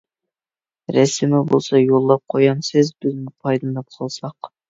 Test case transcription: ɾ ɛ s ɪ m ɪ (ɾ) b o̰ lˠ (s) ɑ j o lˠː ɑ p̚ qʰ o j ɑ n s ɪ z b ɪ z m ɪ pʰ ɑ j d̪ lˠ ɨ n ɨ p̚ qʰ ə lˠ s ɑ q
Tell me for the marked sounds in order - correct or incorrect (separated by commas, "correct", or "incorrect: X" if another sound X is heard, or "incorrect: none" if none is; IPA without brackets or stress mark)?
incorrect: none, correct